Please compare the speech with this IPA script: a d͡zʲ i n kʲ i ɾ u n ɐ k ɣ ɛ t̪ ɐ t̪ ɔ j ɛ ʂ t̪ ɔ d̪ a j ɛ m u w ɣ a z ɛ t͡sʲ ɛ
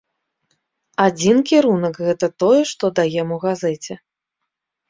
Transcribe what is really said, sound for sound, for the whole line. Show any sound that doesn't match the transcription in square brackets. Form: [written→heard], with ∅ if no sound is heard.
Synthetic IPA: a d͡zʲ i n kʲ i ɾ u n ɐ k ɣ ɛ t̪ ɐ t̪ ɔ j ɛ ʂ t̪ ɔ d̪ a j ɛ m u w ɣ a z ɛ t͡sʲ ɛ